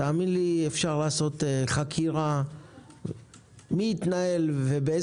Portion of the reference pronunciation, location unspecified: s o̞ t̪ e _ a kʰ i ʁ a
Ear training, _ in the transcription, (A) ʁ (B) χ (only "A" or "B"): B